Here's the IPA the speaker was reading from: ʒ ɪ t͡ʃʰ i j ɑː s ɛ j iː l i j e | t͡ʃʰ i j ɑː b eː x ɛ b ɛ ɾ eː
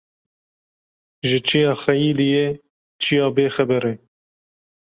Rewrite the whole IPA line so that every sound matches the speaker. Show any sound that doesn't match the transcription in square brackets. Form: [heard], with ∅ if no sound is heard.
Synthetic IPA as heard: ʒ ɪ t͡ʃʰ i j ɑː [x] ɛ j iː l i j e | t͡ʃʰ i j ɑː b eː x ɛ b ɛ ɾ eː